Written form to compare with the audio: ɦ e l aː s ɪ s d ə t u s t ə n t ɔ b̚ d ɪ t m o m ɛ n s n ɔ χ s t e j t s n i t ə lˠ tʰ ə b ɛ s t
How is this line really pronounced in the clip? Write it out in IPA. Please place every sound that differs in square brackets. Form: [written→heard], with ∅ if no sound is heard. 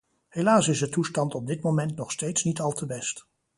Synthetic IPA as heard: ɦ e l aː s ɪ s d ə t u s t [ə→ɑ] n t ɔ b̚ d ɪ t m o m ɛ n [s→t] n ɔ χ s t e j t s n i t [ə→ɑ] lˠ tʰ ə b ɛ s t